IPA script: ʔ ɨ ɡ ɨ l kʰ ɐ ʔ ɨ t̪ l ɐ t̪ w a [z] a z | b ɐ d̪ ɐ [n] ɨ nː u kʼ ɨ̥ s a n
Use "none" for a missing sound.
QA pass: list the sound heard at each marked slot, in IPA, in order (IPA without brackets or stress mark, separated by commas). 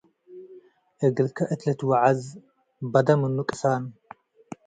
ʕ, m